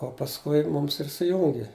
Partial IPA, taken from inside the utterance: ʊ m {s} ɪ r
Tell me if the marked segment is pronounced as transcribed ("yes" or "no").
yes